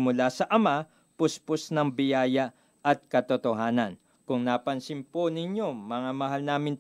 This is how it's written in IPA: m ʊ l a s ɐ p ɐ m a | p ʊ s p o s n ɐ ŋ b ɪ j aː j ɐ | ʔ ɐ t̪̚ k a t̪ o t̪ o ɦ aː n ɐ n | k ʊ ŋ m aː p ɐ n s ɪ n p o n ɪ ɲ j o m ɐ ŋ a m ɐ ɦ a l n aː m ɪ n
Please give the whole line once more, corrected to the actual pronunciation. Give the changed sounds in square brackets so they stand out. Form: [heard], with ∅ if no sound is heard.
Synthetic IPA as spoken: m ʊ l a s ɐ [ʔ] ɐ m a | p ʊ s p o s n ɐ ŋ b ɪ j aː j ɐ | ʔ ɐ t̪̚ k [ɐ] t̪ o t̪ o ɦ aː n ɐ n | k ʊ ŋ [n] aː p ɐ n s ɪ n p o n ɪ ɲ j o m ɐ ŋ a m ɐ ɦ a l n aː m ɪ n